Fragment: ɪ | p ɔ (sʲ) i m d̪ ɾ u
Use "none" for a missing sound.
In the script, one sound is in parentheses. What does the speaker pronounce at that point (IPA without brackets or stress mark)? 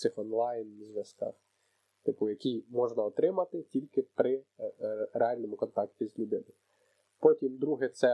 tʲ